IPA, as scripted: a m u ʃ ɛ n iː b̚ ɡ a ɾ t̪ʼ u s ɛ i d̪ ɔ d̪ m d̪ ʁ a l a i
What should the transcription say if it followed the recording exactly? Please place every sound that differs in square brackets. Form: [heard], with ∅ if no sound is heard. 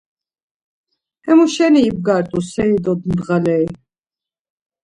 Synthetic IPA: [ɛ] m u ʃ ɛ n iː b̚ ɡ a ɾ t̪ʼ u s ɛ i d̪ ɔ d̪ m d̪ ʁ a l [ɛ] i